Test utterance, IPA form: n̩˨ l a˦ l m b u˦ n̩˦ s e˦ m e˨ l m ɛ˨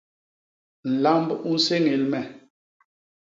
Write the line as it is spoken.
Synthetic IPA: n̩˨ l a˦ m b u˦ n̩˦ s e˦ ŋ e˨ l m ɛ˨